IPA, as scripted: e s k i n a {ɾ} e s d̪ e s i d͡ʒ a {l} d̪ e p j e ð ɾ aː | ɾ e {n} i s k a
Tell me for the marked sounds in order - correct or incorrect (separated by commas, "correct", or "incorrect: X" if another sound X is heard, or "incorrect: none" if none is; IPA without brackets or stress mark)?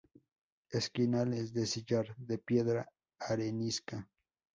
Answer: incorrect: l, incorrect: ɾ, correct